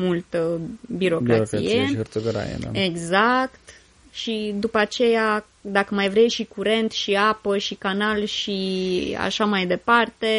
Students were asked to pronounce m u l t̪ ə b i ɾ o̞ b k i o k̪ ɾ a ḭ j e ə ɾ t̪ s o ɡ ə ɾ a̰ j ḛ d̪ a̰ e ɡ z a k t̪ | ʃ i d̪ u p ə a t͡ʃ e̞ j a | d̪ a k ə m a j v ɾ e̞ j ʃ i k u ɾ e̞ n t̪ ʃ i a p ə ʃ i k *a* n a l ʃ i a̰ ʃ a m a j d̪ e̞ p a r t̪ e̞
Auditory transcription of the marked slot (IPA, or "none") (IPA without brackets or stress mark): a